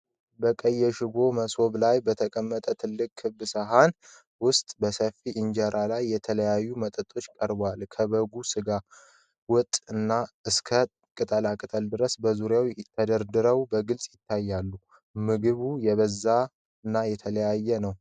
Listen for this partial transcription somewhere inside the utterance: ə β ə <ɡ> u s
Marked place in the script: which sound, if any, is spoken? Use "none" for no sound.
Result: ɡ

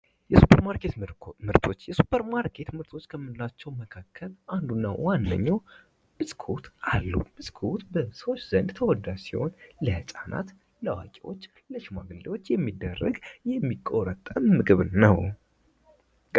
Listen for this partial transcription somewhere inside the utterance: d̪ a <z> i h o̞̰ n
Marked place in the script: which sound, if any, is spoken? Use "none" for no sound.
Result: s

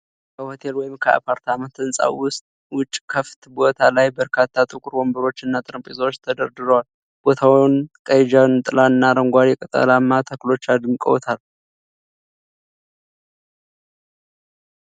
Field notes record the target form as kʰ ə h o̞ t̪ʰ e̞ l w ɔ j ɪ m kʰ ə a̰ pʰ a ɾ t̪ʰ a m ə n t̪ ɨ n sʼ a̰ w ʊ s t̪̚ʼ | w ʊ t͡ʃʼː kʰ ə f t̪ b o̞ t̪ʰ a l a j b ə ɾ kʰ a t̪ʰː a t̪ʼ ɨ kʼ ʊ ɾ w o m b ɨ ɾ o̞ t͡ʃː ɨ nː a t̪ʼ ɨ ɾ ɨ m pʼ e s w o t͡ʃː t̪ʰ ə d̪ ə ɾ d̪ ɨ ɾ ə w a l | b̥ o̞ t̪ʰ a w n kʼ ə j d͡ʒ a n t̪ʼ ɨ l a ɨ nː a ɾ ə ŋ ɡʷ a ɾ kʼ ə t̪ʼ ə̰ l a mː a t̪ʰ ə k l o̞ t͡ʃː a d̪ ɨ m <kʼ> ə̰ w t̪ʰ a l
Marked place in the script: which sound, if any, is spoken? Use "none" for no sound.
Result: kʼ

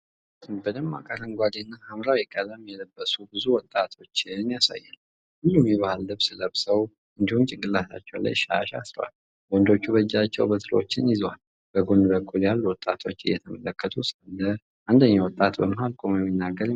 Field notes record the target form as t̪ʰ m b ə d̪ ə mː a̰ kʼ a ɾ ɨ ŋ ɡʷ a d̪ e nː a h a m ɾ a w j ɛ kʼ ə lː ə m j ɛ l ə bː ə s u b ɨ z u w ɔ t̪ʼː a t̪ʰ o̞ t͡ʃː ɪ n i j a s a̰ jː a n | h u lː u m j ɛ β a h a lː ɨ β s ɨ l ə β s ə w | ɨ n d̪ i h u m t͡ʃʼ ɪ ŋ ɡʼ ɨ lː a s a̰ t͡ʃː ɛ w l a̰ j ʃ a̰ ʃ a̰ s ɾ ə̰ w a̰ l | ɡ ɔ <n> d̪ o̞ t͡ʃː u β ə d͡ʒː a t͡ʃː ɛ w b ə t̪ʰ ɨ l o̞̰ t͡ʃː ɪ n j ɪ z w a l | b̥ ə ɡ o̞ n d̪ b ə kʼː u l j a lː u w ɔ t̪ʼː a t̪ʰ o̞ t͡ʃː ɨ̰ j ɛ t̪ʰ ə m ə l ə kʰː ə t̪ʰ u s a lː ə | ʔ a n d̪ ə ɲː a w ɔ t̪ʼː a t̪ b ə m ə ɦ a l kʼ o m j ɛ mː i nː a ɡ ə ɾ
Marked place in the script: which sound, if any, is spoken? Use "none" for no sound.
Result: n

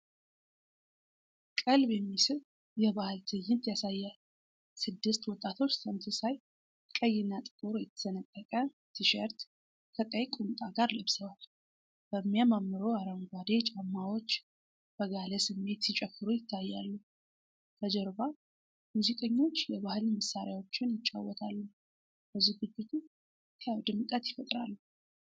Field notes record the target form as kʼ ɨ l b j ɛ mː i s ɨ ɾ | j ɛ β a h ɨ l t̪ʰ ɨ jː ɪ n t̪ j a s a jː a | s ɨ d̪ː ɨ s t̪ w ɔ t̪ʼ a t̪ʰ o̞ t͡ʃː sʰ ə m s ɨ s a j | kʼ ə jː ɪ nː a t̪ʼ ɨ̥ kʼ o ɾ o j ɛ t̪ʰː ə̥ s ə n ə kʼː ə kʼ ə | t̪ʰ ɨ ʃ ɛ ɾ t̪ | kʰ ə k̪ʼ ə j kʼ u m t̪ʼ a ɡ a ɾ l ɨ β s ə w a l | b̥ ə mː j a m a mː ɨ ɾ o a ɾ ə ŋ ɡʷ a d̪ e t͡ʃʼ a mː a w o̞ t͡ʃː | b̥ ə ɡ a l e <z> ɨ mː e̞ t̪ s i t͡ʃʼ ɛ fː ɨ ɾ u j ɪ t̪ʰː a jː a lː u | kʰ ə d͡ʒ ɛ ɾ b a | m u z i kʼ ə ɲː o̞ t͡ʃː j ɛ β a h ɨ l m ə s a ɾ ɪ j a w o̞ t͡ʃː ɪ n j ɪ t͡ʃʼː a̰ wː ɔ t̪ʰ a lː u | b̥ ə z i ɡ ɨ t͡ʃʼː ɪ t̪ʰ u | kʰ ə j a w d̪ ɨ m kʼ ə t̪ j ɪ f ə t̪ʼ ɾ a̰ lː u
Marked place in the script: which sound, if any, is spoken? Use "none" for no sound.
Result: s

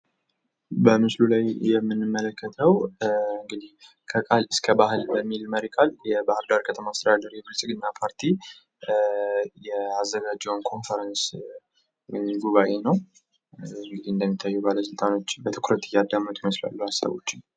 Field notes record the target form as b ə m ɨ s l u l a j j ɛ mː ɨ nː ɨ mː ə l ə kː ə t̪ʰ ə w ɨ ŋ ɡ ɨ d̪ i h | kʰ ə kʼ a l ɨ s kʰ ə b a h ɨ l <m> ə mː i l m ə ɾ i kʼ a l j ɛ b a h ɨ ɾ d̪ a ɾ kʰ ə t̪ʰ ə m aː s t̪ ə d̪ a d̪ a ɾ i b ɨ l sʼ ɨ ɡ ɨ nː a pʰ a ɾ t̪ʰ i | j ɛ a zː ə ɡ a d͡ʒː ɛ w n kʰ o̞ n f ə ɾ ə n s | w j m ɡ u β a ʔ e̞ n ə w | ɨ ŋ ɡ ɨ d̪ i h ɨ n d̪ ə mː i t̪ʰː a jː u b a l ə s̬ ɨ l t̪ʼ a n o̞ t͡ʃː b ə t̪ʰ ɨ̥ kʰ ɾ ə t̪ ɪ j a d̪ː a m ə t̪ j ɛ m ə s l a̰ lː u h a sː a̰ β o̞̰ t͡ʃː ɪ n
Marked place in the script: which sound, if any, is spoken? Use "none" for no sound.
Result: b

